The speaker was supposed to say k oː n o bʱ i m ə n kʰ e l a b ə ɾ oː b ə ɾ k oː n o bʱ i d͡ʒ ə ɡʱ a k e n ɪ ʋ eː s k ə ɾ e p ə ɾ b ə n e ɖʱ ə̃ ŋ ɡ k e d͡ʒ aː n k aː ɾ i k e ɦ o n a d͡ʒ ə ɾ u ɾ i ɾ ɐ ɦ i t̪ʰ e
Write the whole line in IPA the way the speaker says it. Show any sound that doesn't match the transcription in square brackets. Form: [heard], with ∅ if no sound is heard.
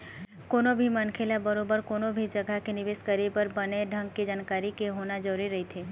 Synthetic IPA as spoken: k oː n o bʱ i m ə n kʰ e l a b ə ɾ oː b ə ɾ k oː n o bʱ i d͡ʒ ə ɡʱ a k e n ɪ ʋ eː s k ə ɾ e p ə ɾ b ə n e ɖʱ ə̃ ŋ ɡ k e d͡ʒ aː n k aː ɾ i k e ɦ o n a d͡ʒ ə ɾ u ɾ i ɾ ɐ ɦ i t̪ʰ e